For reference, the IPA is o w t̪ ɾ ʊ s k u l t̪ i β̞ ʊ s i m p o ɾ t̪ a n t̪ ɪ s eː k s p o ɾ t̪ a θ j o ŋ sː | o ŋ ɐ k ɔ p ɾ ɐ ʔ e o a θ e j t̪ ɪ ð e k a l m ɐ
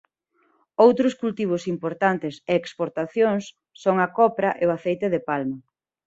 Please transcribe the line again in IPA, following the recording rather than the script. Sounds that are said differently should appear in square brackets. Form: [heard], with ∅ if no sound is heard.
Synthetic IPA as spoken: o w t̪ ɾ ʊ s k u l t̪ i β̞ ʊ s i m p o ɾ t̪ a n t̪ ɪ s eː k s p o ɾ t̪ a θ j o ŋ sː | o ŋ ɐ k ɔ p ɾ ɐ ʔ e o a θ e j t̪ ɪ ð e [p] a l m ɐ